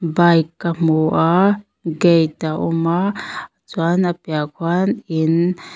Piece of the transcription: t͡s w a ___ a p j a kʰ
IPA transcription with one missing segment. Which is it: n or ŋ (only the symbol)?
n